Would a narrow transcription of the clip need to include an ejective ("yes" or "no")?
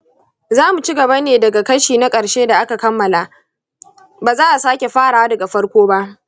yes